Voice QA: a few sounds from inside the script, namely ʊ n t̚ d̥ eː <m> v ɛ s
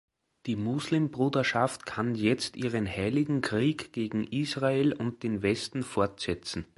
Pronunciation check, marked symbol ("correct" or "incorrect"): incorrect